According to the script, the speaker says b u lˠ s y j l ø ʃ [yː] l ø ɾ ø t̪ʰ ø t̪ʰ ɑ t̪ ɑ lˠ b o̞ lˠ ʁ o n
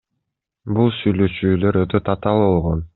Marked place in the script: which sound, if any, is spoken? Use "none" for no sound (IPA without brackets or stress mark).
yː